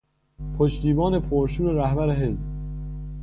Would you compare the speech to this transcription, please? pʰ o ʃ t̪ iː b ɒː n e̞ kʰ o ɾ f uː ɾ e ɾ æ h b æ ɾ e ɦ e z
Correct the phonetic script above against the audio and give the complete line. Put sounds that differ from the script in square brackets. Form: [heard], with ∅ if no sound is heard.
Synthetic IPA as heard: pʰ o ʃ t̪ iː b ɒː n e̞ [pʰ] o ɾ [ʃ] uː ɾ e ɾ æ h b æ ɾ e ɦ e z